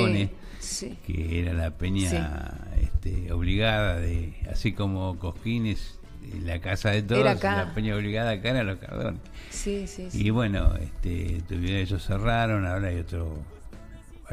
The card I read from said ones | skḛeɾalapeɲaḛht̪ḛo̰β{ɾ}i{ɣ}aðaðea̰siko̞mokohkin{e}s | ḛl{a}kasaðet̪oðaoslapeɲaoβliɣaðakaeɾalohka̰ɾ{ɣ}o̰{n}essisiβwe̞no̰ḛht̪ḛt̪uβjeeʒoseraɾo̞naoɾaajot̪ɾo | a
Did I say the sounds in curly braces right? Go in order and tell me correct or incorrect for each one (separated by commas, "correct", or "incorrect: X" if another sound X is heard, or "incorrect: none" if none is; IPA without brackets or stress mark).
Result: incorrect: l, correct, correct, correct, incorrect: ð, correct